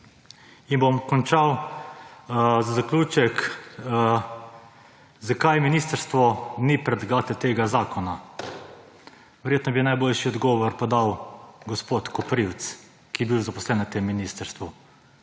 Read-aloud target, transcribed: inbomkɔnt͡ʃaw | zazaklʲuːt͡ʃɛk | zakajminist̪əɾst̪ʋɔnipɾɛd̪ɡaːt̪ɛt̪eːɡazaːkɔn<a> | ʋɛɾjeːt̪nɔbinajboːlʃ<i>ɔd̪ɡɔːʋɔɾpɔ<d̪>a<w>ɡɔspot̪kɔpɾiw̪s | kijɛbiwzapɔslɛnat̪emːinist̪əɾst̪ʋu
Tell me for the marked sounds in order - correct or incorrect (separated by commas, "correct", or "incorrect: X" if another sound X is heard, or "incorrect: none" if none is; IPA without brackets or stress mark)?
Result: correct, correct, correct, correct